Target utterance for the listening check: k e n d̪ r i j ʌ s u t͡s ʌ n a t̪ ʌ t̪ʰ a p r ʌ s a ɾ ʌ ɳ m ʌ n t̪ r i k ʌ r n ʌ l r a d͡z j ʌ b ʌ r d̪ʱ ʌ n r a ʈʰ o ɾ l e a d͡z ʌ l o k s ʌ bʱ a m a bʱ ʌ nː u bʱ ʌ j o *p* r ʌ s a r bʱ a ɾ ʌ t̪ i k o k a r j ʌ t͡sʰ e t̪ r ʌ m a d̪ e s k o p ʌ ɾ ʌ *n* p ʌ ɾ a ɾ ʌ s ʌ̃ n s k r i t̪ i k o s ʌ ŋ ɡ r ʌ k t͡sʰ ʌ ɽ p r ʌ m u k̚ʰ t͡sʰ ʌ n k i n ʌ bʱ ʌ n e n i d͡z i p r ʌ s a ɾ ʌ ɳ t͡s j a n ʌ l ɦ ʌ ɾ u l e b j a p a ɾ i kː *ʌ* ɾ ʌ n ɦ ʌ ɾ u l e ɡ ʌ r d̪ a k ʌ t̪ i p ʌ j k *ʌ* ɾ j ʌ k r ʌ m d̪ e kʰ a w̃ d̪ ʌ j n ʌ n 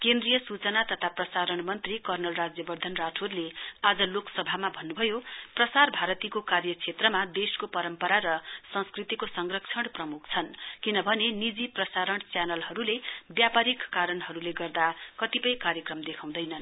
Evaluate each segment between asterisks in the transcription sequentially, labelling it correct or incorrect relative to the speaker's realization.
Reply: correct, incorrect: m, incorrect: a, incorrect: a

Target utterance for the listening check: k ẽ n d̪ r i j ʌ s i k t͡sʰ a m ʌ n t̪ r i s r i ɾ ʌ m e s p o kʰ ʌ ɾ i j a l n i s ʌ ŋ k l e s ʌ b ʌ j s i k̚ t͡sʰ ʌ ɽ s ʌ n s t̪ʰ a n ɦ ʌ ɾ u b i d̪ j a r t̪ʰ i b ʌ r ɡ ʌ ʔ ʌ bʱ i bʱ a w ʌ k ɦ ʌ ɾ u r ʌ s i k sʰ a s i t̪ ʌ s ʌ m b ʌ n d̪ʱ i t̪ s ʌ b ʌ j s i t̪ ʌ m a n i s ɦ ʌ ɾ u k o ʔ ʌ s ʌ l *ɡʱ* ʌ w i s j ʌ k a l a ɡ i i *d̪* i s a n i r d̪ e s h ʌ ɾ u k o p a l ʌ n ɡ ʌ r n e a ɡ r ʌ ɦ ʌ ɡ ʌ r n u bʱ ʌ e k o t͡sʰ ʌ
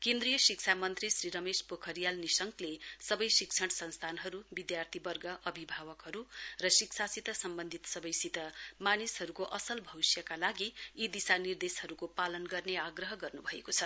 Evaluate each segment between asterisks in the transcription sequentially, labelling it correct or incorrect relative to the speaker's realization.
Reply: incorrect: bʱ, correct

